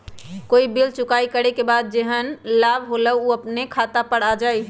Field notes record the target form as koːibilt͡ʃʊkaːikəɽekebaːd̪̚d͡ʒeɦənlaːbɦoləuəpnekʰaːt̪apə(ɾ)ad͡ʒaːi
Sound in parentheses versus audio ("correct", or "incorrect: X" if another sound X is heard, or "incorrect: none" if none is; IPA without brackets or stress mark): incorrect: ɽ